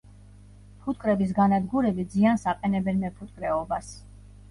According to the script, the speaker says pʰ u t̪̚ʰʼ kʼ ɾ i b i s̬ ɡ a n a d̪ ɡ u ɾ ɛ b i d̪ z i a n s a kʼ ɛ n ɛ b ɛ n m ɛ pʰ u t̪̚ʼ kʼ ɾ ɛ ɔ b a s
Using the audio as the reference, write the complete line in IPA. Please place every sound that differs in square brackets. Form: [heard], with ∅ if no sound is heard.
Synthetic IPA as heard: pʰ u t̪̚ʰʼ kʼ ɾ [ɛ] b i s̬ ɡ a n a d̪ ɡ u ɾ ɛ b i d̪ z i a n s a [qʼ] ɛ n ɛ b ɛ n m ɛ pʰ u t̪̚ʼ kʼ ɾ ɛ ɔ b a s